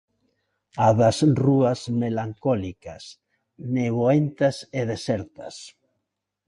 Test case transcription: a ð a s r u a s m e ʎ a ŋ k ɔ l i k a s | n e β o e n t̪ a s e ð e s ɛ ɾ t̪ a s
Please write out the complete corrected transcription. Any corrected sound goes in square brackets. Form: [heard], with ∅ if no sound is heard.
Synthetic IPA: a ð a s r u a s m e [l] a ŋ k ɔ l i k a s | n e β o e n t̪ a s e ð e s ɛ ɾ t̪ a s